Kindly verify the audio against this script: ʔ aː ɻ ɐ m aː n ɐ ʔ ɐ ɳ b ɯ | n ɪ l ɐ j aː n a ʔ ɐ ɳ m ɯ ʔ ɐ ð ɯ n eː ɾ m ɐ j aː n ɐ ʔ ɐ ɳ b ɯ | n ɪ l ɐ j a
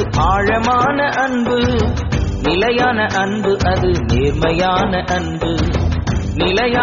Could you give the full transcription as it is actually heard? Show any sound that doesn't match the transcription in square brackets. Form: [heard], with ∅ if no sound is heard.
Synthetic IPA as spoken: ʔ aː ɻ ɐ m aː n ɐ ʔ ɐ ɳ b ɯ | n ɪ l ɐ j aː n [ɐ] ʔ ɐ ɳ [b] ɯ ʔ ɐ ð ɯ n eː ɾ m ɐ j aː n ɐ ʔ ɐ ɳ b ɯ | n ɪ l ɐ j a